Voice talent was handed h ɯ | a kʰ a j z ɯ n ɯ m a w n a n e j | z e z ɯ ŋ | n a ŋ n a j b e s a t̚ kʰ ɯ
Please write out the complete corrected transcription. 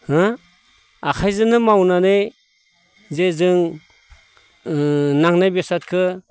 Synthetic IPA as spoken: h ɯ | a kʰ a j z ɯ n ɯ m a w n a n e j | z e z ɯ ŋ | n a ŋ n a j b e s a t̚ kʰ ɯ